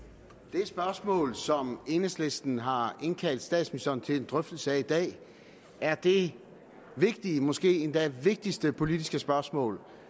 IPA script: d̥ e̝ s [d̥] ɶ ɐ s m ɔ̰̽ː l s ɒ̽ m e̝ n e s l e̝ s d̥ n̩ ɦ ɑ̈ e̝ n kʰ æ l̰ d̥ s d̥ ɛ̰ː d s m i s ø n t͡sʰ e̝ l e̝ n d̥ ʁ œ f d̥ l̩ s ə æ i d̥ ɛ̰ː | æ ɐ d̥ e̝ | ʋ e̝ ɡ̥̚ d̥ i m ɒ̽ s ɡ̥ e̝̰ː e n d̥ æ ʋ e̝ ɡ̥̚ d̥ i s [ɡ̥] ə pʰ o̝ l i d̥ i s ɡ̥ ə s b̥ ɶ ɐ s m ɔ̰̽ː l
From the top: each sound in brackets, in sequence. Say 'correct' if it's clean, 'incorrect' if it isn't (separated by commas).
incorrect, incorrect